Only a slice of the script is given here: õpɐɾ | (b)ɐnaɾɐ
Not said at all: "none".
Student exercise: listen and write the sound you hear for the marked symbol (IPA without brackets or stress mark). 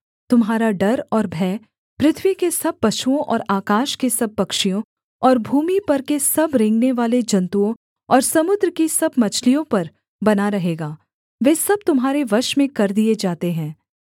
b